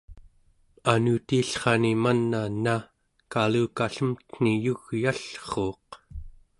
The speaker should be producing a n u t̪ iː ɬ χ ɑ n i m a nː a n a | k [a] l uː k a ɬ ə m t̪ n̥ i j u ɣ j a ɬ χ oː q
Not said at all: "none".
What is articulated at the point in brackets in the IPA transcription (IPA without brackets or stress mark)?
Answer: a